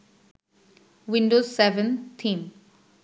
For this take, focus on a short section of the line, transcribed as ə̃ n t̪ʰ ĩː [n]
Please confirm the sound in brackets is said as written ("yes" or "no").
no